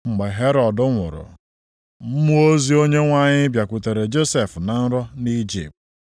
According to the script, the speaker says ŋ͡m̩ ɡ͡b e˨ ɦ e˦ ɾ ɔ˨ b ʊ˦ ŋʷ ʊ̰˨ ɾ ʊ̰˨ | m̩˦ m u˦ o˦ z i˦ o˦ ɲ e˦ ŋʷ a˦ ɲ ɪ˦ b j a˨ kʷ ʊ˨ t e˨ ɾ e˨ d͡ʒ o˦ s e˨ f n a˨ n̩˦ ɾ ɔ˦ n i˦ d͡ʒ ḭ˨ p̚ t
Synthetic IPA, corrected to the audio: ŋ͡m̩ ɡ͡b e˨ ɦ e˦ ɾ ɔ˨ d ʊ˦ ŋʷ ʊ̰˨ ɾ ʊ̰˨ | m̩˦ m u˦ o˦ z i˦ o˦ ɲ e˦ ŋʷ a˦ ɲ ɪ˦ b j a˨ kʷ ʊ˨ t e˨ ɾ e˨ d͡ʒ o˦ s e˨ f n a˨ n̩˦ ɾ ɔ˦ n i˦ d͡ʒ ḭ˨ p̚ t